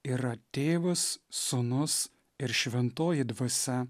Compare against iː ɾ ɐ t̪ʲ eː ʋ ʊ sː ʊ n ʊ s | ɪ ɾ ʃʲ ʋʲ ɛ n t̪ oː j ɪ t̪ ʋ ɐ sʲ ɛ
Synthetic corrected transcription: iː ɾ ɐ t̪ʲ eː ʋ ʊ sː ʊ n ʊ s | ɪ ɾ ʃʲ ʋʲ ɛ n t̪ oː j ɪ d̪ ʋ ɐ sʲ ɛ